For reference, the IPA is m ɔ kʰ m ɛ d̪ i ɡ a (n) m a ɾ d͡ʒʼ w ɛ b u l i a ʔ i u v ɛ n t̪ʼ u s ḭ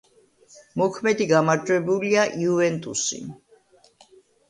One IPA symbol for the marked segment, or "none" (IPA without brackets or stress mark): none